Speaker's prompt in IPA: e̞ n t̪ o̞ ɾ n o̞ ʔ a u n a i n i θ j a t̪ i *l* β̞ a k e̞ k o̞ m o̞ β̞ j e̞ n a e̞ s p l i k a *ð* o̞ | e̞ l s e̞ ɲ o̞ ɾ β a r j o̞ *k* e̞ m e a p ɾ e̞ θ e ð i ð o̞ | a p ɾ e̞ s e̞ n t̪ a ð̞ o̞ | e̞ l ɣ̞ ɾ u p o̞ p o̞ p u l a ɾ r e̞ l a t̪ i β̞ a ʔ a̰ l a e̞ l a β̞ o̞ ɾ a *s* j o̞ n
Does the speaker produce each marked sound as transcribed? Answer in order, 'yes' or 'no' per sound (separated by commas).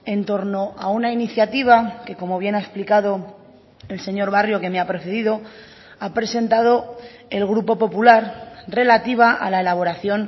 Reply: no, yes, yes, no